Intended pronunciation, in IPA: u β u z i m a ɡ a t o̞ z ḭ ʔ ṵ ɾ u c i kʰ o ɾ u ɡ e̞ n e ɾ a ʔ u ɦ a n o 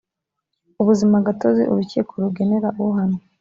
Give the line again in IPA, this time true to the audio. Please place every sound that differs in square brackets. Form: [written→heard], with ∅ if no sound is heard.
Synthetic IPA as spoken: u β u z i m a ɡ a t o̞ z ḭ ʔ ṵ ɾ u c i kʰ o ɾ u ɡ e̞ n e ɾ a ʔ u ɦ a n o